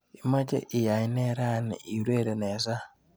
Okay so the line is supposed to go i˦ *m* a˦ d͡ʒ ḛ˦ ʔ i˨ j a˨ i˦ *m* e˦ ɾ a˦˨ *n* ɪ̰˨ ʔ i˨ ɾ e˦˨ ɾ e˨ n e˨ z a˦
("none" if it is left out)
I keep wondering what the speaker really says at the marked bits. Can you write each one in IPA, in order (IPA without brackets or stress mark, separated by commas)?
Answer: m, n, n